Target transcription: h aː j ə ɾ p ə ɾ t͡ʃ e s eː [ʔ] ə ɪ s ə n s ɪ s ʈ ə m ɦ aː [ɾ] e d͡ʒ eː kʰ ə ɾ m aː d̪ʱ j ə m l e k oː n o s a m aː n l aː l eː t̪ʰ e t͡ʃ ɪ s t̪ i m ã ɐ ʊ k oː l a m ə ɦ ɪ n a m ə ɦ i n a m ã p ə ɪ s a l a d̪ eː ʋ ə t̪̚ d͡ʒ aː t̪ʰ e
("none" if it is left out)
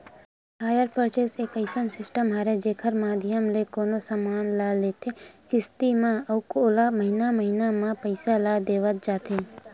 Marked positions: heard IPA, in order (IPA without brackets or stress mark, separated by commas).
k, ɾ